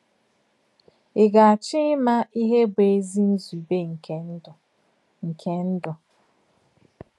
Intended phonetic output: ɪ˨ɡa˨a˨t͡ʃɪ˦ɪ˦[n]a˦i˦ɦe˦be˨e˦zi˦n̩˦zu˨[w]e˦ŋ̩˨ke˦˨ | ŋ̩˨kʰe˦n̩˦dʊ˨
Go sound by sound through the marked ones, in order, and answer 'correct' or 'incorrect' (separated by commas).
incorrect, incorrect